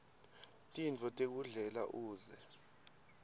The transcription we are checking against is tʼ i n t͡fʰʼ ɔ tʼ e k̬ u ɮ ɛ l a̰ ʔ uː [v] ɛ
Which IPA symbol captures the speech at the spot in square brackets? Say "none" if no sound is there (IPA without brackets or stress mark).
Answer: z